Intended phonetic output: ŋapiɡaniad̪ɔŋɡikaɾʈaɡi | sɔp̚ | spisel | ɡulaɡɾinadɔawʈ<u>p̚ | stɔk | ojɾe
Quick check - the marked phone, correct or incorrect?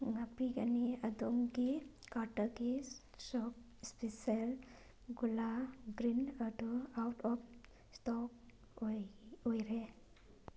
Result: incorrect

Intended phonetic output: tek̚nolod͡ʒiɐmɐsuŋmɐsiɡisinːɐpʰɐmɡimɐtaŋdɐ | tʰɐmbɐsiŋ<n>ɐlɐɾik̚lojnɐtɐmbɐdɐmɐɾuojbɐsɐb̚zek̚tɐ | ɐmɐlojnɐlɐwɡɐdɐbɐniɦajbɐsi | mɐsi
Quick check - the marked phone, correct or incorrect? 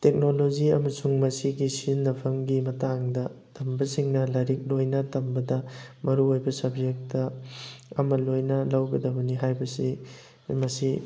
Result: correct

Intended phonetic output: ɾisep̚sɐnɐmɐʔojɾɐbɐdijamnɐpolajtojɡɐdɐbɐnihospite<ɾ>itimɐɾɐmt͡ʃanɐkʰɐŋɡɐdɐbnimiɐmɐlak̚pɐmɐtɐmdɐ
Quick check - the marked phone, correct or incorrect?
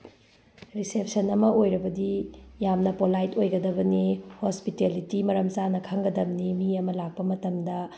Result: incorrect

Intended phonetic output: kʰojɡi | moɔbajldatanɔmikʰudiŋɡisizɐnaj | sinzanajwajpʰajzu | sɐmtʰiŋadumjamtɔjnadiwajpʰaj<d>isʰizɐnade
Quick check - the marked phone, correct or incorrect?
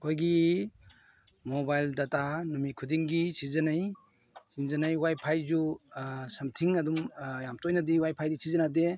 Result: correct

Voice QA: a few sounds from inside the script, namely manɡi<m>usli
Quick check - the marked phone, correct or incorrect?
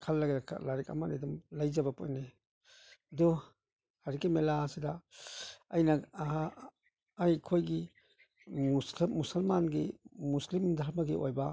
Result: correct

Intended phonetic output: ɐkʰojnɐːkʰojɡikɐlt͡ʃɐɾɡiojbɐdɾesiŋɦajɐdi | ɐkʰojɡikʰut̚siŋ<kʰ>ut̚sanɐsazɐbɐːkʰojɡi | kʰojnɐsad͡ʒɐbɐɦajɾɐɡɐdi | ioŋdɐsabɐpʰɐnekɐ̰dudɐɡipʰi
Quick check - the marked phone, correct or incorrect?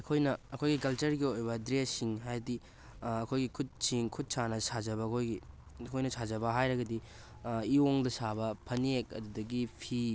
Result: correct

